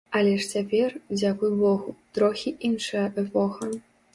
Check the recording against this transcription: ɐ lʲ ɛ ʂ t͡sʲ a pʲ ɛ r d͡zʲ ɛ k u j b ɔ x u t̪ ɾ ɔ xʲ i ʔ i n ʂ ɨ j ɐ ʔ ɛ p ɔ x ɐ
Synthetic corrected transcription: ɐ lʲ ɛ ʂ t͡sʲ a pʲ ɛ r d͡zʲ a k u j b ɔ ɣ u t̪ ɾ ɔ xʲ i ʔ i n ʂ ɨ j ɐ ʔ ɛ p ɔ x ɐ